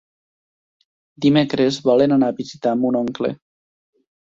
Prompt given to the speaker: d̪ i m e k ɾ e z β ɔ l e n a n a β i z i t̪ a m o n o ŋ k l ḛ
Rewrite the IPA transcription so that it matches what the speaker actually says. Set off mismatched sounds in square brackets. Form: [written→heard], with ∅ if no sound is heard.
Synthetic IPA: d̪ i m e k ɾ e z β ɔ l e n a n a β i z i t̪ a m [o→u] n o ŋ k l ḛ